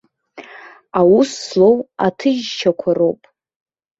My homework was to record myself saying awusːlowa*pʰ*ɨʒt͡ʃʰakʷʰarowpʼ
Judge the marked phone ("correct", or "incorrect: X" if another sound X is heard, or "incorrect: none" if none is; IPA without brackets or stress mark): incorrect: tʰ